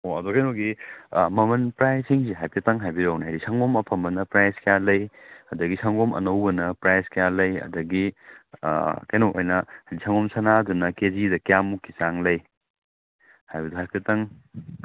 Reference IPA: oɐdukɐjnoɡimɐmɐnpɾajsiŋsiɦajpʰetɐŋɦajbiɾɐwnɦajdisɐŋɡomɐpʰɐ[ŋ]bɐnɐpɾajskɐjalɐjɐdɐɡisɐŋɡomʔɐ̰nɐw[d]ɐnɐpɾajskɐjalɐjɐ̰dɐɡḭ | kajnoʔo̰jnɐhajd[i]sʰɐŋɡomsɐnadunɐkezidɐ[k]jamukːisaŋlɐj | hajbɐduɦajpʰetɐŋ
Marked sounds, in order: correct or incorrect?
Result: incorrect, incorrect, correct, correct

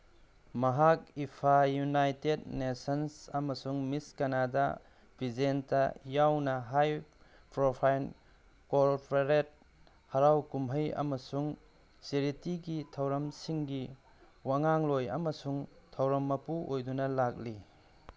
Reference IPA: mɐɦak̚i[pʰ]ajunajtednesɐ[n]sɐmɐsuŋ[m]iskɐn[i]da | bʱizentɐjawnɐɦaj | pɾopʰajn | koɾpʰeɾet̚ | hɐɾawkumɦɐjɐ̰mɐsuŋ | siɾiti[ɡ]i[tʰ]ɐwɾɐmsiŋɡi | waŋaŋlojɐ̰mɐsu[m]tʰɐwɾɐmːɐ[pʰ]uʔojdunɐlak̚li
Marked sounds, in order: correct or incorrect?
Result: correct, correct, correct, incorrect, correct, correct, incorrect, incorrect

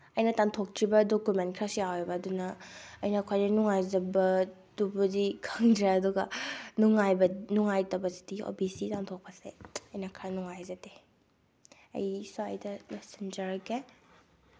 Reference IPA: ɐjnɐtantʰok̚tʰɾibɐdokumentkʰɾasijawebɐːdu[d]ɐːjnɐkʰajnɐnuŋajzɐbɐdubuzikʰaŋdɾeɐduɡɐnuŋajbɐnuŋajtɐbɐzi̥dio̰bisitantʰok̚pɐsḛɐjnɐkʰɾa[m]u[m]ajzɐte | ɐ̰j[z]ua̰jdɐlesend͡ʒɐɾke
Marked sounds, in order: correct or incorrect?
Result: incorrect, incorrect, incorrect, incorrect

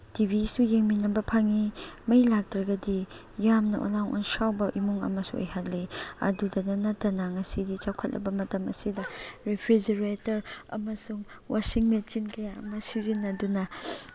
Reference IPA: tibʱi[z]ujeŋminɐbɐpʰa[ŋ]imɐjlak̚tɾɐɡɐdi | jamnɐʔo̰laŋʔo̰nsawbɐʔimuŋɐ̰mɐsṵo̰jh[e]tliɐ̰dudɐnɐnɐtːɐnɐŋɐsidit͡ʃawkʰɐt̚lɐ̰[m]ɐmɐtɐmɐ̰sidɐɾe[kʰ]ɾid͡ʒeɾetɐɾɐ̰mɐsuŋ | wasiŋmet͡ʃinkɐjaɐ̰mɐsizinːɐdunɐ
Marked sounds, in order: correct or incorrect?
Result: incorrect, correct, incorrect, incorrect, incorrect

